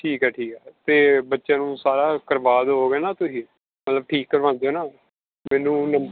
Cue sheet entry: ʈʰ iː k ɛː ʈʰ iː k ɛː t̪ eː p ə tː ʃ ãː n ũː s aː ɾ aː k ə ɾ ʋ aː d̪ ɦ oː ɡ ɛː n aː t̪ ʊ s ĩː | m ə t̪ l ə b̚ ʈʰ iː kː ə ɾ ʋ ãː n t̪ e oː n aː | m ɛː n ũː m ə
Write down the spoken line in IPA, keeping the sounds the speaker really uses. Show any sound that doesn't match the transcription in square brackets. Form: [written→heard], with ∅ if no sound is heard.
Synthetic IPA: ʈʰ iː k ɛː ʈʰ iː k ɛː t̪ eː [p→b] ə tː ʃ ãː n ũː s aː ɾ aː k ə ɾ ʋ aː d̪ ɦ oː ɡ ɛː n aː t̪ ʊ s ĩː | m ə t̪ l ə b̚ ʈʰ iː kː ə ɾ ʋ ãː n [t̪→d̪] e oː n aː | m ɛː n ũː [m→n] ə